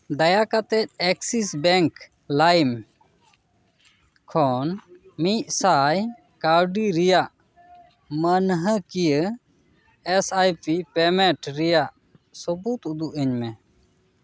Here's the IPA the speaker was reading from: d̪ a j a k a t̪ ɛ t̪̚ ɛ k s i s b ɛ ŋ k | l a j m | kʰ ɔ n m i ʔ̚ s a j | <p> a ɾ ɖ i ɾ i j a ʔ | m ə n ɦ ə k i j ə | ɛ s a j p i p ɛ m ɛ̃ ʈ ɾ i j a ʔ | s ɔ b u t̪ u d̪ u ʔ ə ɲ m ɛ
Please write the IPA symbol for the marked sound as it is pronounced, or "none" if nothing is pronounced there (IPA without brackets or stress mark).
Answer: k